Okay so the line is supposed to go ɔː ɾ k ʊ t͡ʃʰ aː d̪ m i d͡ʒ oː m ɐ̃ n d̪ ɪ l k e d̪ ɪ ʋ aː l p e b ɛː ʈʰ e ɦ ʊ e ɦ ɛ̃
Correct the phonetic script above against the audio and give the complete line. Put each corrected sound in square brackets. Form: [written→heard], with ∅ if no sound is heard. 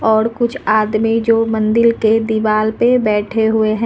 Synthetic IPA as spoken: ɔː ɾ k ʊ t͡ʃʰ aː d̪ m i d͡ʒ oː m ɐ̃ n d̪ ɪ l k e d̪ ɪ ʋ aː l p e b ɛː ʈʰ e ɦ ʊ e ɦ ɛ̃